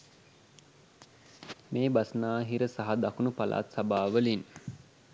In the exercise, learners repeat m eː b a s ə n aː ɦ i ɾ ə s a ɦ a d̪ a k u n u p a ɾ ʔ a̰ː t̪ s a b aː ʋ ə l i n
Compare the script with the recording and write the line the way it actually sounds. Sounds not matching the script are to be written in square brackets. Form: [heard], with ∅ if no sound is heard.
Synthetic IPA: m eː b a s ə n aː ɦ i ɾ ə s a ɦ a d̪ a k u n u p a [l] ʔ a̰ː t̪ s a b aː ʋ ə l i n